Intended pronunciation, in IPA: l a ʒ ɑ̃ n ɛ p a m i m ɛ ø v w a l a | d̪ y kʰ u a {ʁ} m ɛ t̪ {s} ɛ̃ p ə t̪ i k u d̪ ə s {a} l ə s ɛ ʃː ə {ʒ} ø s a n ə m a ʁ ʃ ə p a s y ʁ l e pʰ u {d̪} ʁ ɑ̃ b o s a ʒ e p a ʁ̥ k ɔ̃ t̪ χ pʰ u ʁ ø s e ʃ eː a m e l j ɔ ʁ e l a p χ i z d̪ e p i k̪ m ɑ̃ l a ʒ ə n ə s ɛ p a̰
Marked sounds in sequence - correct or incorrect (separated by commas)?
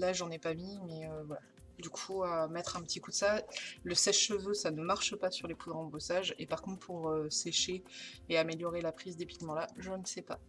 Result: incorrect, incorrect, correct, incorrect, correct